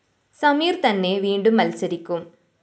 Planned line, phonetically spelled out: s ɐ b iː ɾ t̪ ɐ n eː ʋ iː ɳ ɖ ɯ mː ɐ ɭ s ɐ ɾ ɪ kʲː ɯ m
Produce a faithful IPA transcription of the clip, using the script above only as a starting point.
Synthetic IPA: s ɐ m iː ɾ t̪ ɐ nː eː ʋ iː ɳ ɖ ɯ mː ɐ l s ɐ ɾ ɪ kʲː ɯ m